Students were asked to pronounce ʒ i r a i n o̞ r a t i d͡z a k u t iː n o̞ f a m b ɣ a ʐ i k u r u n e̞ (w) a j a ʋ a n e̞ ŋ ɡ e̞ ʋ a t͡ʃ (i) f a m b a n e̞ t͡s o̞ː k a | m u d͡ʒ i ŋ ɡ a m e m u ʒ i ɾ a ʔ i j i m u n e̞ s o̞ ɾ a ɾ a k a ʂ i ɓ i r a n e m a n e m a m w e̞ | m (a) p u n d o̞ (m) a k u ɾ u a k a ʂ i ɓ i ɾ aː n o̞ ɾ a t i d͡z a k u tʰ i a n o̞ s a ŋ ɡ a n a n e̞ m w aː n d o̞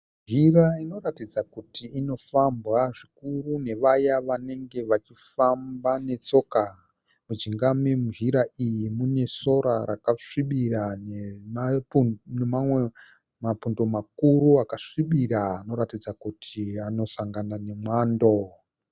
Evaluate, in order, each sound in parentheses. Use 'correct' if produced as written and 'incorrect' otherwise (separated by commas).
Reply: incorrect, correct, correct, correct